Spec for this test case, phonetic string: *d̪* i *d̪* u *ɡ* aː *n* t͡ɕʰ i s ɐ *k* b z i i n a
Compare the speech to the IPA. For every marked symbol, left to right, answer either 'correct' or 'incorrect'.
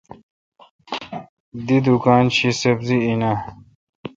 correct, correct, incorrect, correct, incorrect

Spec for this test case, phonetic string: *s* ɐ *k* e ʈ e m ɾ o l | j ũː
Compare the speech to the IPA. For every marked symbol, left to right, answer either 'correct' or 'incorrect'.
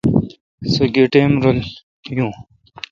correct, incorrect

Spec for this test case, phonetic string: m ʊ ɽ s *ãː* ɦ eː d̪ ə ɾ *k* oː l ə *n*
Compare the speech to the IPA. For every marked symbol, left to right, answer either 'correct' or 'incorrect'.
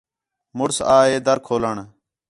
incorrect, incorrect, incorrect

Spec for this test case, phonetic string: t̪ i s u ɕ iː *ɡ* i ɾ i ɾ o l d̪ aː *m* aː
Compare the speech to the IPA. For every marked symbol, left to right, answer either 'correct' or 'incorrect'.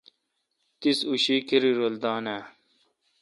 incorrect, incorrect

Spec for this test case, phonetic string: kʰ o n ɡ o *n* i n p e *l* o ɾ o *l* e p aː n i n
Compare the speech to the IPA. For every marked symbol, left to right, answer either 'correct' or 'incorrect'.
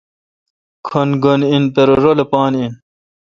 correct, incorrect, correct

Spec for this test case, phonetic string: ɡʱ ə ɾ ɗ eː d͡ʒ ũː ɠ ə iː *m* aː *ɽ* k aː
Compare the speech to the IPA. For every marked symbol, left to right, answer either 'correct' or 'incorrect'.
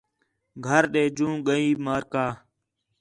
correct, incorrect

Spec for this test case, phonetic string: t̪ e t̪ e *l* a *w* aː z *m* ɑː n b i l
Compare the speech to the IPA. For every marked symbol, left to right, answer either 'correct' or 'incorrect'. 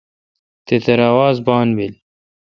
incorrect, correct, incorrect

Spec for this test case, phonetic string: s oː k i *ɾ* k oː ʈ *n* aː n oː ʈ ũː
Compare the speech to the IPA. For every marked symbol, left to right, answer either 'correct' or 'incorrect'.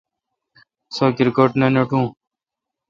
correct, correct

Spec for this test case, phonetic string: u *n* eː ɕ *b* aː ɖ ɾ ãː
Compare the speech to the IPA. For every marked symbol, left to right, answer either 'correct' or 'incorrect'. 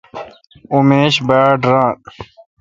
incorrect, correct

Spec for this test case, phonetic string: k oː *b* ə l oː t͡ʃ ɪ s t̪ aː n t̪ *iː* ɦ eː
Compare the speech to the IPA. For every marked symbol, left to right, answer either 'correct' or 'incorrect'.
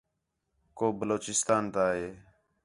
correct, incorrect

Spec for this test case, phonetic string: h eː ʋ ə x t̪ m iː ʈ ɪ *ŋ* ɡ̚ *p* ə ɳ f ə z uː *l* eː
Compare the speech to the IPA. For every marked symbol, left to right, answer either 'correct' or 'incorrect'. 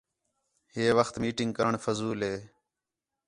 correct, incorrect, correct

